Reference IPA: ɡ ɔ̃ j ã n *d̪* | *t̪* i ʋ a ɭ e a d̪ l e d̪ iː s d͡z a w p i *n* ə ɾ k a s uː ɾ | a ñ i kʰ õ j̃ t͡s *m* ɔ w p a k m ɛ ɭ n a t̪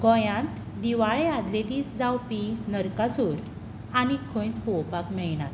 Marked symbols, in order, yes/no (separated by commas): no, no, yes, no